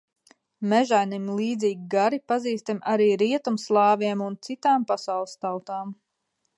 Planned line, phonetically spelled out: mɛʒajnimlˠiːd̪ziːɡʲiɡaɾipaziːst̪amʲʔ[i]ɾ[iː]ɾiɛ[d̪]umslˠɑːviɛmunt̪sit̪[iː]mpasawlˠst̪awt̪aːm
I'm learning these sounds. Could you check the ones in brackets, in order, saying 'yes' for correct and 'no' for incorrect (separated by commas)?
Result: no, yes, no, no